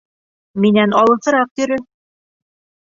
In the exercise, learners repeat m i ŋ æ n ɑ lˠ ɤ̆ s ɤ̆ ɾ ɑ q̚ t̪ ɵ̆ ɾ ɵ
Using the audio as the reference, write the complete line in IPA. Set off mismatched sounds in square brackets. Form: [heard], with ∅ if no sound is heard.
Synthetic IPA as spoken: m i [n] æ n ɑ lˠ ɤ̆ s ɤ̆ ɾ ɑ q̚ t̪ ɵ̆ ɾ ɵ